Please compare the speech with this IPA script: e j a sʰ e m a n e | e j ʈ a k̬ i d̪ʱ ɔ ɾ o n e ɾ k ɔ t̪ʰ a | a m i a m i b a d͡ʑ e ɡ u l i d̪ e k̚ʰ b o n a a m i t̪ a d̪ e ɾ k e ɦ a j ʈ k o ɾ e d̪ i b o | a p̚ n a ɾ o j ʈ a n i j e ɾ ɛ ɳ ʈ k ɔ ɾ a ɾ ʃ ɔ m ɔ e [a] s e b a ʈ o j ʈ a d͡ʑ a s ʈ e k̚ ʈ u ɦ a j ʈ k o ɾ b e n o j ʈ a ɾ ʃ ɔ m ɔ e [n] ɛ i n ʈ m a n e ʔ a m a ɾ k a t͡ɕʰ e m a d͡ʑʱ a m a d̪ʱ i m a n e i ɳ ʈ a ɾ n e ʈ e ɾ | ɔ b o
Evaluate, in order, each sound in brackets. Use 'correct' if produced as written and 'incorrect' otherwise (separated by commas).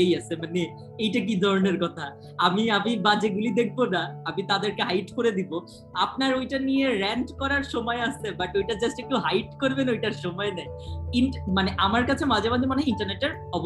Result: correct, correct